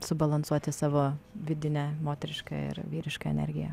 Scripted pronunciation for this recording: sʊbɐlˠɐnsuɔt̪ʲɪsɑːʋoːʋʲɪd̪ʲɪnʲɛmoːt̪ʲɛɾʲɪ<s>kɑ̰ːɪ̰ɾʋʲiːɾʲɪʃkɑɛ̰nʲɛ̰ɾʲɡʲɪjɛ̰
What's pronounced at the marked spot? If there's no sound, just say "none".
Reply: ʃ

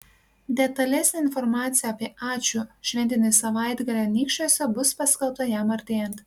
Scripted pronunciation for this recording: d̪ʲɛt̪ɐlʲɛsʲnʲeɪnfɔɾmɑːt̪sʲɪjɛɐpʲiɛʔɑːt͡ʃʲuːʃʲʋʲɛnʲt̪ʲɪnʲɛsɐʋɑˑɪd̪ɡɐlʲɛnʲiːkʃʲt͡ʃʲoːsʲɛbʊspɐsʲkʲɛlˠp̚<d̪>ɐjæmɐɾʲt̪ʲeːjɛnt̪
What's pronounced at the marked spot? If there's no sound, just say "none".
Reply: t̪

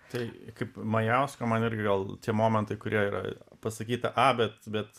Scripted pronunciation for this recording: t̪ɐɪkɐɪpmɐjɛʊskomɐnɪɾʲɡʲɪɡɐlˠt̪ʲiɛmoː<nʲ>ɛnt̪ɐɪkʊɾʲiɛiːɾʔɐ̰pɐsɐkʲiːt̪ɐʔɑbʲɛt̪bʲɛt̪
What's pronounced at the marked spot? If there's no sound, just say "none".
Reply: mʲ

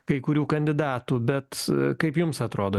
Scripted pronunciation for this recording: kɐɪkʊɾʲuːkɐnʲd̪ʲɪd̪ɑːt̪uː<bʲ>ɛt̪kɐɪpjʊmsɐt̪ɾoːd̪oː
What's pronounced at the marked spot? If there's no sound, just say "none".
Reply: bʲ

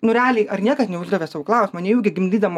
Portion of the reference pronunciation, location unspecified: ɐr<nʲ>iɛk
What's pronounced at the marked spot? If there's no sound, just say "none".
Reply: nʲ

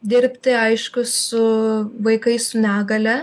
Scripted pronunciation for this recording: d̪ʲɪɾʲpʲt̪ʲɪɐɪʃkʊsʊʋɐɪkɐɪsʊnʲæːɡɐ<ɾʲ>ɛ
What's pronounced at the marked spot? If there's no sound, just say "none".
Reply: lʲ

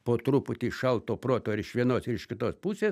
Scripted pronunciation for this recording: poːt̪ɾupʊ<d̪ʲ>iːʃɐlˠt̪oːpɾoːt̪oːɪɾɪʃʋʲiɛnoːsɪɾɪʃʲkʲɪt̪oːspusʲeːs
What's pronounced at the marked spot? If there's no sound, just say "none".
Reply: t̪ʲ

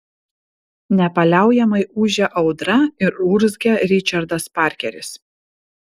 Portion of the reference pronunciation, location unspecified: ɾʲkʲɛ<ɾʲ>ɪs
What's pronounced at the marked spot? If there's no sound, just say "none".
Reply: ɾʲ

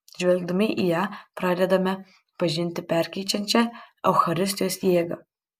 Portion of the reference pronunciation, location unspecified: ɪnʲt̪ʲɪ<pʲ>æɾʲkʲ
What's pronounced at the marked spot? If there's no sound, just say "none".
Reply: pʲ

